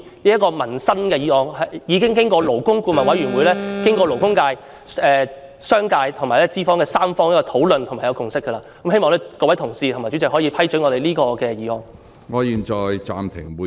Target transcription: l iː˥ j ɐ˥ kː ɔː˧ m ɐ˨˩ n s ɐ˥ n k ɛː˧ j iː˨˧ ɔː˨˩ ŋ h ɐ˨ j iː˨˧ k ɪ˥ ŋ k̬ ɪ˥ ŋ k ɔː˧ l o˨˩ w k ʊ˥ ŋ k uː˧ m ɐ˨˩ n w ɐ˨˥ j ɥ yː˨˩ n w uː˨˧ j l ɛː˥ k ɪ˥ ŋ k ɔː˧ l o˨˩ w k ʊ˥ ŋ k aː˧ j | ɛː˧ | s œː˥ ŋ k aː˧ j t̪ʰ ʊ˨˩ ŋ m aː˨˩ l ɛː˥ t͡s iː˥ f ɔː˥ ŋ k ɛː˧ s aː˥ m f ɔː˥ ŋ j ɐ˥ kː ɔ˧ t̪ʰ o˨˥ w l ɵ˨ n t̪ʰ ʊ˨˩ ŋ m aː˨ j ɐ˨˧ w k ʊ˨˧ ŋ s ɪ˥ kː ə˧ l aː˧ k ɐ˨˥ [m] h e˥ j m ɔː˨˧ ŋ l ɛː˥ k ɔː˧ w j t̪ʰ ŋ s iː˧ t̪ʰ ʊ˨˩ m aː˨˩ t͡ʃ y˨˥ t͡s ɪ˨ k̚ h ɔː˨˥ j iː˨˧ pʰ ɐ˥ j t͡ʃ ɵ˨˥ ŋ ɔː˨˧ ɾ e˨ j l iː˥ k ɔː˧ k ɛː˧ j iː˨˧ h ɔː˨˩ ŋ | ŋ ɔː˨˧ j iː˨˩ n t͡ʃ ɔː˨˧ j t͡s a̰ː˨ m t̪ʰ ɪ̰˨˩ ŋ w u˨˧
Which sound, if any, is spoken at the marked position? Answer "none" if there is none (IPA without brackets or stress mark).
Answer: m